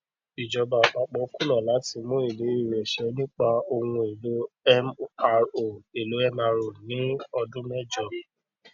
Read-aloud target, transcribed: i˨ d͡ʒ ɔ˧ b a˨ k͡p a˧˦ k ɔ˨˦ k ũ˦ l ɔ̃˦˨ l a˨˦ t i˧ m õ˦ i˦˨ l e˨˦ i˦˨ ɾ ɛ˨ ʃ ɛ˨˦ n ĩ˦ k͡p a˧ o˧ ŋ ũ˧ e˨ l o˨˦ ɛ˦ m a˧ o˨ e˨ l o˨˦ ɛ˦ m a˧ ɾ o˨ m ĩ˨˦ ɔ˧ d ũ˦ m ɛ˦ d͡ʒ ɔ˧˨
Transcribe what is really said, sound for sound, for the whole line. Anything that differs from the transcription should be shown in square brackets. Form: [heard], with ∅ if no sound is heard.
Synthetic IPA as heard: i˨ d͡ʒ ɔ˧ b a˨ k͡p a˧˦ [k͡p] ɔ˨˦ k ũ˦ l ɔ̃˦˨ l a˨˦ t i˧ m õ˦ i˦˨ l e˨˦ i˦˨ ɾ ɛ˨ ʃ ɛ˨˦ n ĩ˦ k͡p a˧ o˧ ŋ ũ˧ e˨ l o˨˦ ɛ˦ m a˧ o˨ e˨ l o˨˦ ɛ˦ m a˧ ɾ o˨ [n] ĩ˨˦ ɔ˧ d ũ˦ m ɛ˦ d͡ʒ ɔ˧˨